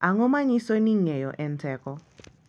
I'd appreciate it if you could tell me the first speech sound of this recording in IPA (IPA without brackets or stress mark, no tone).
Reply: a